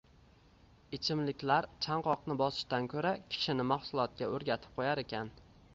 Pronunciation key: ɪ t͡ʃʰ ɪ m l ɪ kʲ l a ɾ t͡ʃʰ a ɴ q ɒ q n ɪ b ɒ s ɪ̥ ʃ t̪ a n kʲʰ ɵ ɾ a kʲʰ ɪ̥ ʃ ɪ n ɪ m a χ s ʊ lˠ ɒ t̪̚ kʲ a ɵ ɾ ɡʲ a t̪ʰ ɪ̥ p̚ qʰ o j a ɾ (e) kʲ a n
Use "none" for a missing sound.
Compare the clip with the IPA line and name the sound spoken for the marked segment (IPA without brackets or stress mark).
e